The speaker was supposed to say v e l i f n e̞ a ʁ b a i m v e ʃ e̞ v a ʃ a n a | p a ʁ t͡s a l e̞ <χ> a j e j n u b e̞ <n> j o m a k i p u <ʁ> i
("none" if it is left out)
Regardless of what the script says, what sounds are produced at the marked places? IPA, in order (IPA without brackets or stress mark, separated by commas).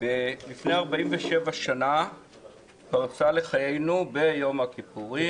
χ, none, ʁ